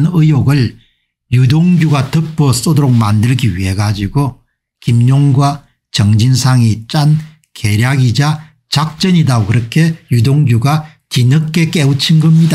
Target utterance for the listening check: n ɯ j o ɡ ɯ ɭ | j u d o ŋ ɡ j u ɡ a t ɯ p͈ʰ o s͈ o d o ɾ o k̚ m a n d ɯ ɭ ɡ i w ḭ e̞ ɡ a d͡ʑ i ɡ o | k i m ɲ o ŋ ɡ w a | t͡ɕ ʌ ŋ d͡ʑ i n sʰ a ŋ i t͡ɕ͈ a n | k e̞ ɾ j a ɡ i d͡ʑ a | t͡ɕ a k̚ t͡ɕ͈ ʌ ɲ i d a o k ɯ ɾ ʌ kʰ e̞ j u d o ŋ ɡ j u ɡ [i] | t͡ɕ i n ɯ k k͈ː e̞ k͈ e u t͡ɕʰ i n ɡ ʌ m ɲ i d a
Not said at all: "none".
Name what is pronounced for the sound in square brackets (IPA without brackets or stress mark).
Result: a